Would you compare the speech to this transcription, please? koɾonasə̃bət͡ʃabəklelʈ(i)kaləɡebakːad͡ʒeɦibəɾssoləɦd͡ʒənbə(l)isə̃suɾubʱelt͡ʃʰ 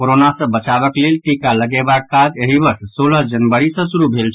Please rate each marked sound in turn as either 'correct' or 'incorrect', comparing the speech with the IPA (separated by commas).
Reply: correct, incorrect